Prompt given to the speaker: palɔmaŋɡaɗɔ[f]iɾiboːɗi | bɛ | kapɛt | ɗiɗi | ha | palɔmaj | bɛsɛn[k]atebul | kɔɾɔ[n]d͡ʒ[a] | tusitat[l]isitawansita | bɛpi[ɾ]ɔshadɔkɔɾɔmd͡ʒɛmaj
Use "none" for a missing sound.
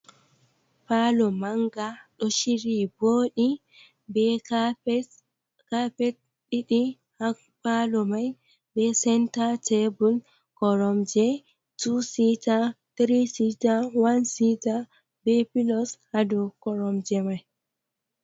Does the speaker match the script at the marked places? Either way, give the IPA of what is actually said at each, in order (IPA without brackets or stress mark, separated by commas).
ʃ, t, m, ɛ, ɾ, l